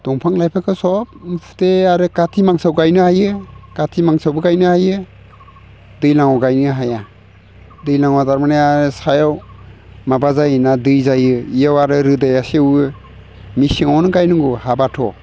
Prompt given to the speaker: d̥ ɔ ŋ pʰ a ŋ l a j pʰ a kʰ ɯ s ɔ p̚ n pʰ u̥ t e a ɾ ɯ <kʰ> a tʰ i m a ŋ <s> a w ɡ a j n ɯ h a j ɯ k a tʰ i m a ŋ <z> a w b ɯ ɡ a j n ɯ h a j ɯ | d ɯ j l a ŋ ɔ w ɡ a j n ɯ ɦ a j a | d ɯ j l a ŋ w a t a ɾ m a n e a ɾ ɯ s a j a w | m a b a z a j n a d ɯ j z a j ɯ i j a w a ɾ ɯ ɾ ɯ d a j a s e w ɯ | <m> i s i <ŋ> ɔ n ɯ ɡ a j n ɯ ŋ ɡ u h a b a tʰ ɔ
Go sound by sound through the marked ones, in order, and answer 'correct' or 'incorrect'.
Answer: incorrect: k, correct, incorrect: s, correct, correct

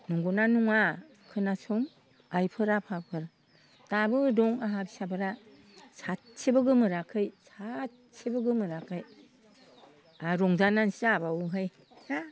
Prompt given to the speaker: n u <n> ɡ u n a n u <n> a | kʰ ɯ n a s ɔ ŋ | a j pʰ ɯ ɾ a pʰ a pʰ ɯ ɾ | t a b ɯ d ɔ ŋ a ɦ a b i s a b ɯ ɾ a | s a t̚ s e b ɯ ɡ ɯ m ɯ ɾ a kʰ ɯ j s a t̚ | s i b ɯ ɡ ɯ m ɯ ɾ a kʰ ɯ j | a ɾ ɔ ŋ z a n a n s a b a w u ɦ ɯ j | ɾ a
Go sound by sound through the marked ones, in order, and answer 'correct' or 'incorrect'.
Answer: incorrect: ŋ, incorrect: ŋ

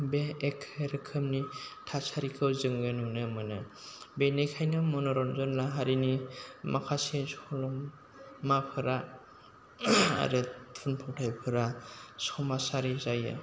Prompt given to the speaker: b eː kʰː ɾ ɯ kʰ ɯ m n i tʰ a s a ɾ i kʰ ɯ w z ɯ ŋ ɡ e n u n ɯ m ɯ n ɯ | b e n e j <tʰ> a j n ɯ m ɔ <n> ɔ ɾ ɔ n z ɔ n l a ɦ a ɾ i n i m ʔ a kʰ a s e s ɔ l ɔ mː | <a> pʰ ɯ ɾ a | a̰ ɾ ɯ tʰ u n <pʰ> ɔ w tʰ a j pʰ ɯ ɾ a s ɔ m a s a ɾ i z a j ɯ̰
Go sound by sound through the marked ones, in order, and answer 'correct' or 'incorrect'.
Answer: incorrect: kʰ, correct, correct, correct

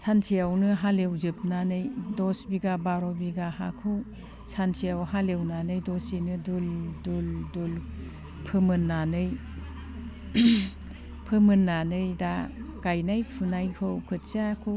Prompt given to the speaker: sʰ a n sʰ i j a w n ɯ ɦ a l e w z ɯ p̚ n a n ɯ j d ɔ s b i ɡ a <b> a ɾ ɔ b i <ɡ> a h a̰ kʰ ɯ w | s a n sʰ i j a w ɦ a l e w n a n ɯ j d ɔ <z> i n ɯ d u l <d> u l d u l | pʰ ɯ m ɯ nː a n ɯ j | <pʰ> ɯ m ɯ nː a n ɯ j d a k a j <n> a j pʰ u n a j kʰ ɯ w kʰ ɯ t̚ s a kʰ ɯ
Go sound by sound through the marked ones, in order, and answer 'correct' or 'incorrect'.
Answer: correct, correct, incorrect: s, correct, correct, correct

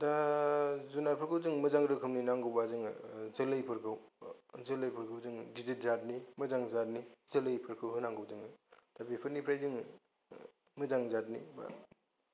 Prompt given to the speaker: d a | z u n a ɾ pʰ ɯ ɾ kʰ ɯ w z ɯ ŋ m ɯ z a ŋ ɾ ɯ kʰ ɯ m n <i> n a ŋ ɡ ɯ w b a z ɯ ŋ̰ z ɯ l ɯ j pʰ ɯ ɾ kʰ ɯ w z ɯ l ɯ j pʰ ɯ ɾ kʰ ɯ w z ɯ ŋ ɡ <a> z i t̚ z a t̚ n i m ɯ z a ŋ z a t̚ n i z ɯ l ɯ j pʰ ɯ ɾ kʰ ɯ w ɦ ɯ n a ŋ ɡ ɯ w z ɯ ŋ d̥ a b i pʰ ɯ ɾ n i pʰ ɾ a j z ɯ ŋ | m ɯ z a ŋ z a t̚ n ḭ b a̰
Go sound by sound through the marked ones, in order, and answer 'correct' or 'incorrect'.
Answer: correct, incorrect: i

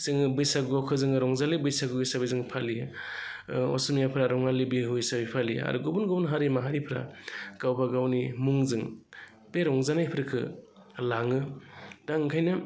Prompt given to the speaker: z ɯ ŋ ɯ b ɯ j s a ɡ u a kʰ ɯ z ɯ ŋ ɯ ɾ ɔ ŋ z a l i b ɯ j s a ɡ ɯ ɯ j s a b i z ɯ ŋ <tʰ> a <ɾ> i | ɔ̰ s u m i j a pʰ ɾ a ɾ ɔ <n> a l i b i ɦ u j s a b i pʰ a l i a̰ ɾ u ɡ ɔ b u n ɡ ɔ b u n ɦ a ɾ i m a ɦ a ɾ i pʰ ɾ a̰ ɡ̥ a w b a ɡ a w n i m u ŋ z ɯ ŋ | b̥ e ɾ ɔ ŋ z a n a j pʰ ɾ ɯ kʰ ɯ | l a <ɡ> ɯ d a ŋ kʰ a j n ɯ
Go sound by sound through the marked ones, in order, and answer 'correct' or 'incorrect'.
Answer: incorrect: pʰ, incorrect: l, incorrect: ŋ, incorrect: ŋ

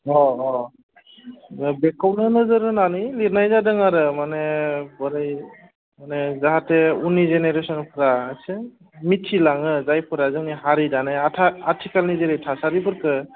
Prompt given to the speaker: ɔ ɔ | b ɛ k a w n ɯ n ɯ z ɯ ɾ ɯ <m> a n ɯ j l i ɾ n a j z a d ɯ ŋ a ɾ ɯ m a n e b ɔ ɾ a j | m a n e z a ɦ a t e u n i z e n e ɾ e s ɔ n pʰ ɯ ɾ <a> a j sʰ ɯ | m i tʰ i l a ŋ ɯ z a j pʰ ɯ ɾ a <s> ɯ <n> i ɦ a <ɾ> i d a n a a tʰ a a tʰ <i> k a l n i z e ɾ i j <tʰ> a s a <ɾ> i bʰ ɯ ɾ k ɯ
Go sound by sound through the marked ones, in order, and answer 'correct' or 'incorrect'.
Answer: incorrect: n, correct, incorrect: z, incorrect: ŋ, correct, correct, correct, correct

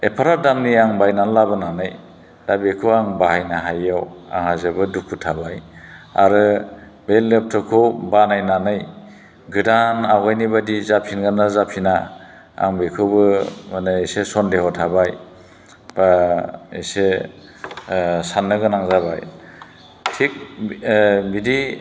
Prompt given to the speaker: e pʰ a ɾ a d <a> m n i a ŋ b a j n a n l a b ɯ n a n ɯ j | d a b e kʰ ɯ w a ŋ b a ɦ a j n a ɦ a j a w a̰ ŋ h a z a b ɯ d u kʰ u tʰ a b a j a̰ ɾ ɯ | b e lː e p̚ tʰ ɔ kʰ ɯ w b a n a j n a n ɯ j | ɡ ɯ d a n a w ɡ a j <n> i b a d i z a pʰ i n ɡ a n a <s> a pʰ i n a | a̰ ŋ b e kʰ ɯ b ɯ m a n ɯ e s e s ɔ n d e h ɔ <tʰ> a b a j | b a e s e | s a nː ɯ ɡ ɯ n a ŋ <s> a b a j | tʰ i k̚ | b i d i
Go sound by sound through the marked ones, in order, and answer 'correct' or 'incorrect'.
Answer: correct, correct, incorrect: z, correct, incorrect: z

